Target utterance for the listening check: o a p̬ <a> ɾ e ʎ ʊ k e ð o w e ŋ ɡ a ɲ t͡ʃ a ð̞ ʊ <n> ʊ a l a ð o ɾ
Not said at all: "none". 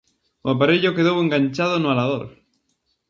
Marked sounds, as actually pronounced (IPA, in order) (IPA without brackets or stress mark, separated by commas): a, n